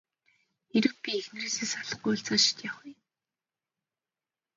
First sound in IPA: x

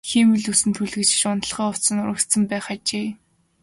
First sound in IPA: x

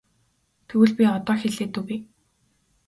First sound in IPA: t̪ʰ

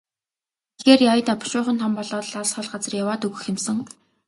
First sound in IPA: x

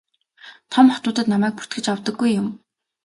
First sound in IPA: t̪ʰ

